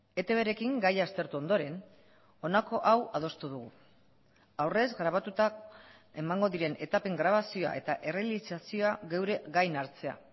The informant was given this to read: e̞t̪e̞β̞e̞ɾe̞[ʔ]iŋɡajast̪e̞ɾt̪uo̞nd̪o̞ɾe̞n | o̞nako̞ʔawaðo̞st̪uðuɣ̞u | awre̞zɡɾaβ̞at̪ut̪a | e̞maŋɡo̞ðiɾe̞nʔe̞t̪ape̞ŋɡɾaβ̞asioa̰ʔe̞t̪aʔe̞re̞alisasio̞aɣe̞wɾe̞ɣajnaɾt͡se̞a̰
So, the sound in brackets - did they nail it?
no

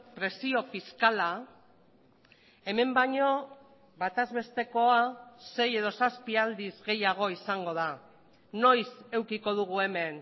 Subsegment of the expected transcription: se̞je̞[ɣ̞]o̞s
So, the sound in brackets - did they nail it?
no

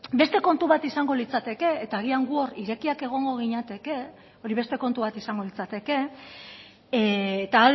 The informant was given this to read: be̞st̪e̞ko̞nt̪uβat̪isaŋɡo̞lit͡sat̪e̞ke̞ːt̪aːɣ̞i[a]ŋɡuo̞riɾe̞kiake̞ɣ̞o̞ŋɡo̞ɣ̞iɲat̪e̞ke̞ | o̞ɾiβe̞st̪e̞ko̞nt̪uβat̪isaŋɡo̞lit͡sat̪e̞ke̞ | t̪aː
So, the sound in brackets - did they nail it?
yes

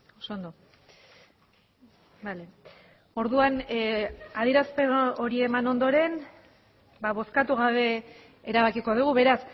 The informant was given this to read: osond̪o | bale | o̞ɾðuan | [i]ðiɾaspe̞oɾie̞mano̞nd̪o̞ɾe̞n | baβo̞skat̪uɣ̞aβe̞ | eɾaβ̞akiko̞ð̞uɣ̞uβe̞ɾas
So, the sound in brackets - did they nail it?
no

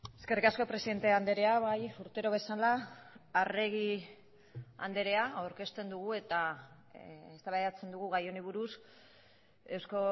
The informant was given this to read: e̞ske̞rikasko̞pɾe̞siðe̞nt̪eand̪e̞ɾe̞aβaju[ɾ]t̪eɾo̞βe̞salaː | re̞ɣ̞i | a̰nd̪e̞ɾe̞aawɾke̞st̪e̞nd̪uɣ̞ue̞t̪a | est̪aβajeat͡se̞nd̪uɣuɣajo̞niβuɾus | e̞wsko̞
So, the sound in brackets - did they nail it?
yes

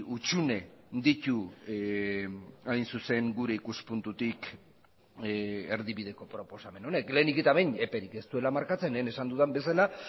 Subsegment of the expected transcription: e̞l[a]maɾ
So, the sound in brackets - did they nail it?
yes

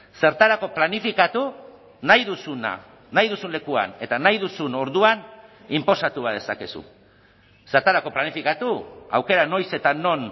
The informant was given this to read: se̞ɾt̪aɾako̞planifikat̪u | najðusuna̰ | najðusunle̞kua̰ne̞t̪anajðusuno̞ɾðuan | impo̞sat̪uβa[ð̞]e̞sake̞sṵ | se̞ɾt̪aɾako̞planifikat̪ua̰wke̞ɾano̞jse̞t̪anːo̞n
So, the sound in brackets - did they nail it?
yes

